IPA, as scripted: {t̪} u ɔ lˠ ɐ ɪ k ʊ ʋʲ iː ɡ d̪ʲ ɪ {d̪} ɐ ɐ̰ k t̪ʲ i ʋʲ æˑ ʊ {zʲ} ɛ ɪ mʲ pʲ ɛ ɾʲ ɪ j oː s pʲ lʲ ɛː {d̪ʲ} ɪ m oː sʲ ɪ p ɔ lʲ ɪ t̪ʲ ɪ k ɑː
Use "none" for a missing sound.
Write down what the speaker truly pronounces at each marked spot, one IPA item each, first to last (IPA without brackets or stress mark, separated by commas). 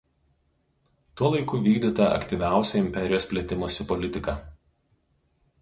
t̪, t̪, sʲ, t̪ʲ